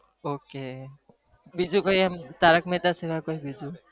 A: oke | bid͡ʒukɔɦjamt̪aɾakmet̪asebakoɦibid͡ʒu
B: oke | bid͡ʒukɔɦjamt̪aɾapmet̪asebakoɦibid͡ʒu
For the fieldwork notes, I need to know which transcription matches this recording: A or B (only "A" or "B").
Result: A